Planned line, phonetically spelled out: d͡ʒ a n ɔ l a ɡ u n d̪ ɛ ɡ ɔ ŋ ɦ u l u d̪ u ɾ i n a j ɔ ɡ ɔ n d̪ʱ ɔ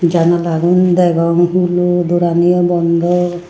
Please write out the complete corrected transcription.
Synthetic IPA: d͡ʒ a n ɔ l a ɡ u n d̪ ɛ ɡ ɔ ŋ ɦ u l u d̪ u ɾ a n i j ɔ b ɔ n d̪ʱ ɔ